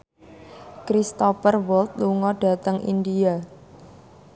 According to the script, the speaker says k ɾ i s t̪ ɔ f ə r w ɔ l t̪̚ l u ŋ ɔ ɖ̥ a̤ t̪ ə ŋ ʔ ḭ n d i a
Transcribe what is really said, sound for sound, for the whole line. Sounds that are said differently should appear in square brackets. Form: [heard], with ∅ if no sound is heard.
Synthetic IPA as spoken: k ɾ i s t̪ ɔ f ə r w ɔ l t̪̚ l u ŋ ɔ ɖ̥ a̤ t̪ ə ŋ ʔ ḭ n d i a